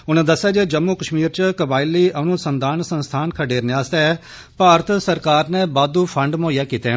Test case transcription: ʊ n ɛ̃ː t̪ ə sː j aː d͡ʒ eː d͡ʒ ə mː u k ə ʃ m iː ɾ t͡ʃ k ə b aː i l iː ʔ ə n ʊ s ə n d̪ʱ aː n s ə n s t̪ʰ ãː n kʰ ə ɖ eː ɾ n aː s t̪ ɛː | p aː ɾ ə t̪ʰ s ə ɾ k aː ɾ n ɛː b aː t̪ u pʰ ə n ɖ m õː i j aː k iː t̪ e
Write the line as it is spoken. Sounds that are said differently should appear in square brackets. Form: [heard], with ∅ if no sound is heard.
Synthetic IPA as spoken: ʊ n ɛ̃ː [d̪] ə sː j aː d͡ʒ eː d͡ʒ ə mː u k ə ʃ m iː ɾ t͡ʃ k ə b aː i l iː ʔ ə n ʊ s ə n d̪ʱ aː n s ə n s t̪ʰ [aː] n kʰ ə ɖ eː ɾ n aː s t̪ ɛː | p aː ɾ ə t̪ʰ s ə ɾ k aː ɾ n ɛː b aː [d̪] u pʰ ə [ɳ] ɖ m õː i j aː k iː t̪ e